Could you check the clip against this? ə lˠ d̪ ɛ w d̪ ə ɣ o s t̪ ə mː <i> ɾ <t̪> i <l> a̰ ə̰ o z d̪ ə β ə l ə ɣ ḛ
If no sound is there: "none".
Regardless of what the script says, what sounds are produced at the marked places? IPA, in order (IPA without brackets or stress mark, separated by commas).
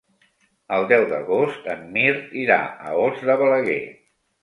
i, t̪, ɾ